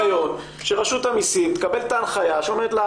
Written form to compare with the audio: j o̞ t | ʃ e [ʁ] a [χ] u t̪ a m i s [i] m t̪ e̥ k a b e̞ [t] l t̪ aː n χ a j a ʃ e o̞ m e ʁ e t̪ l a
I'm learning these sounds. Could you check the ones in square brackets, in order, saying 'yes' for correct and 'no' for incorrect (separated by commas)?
yes, no, yes, no